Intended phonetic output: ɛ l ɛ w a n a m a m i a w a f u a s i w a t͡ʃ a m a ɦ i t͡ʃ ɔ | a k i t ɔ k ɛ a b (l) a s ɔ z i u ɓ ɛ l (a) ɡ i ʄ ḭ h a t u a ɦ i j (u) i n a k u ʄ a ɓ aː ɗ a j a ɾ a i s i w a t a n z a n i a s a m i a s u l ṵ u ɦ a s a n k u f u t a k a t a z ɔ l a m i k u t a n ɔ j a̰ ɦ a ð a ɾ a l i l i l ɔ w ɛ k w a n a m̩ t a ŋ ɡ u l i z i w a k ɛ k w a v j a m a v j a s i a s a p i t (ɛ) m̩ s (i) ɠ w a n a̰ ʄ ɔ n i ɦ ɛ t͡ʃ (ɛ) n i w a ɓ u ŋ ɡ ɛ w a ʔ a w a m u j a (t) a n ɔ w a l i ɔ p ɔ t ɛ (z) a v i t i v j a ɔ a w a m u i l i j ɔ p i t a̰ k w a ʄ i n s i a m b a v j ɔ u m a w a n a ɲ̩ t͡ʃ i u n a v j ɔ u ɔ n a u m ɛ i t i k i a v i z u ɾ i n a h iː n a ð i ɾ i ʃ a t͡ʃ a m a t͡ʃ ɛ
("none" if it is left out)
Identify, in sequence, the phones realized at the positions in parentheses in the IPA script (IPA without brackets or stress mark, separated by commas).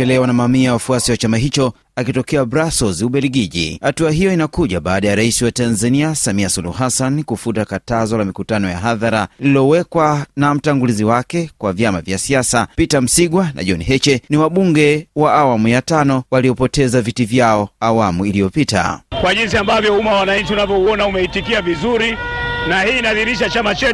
ɾ, i, ɔ, a, i, ɛ, t, z